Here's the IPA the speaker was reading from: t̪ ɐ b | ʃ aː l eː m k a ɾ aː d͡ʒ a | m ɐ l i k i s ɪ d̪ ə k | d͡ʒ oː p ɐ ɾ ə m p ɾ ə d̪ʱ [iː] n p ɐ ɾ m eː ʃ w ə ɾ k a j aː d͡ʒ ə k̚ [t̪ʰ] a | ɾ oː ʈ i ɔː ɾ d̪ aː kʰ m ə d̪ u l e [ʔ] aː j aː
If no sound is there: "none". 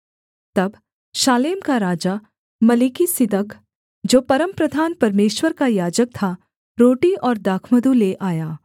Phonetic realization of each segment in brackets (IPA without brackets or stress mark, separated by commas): aː, t̪ʰ, ʔ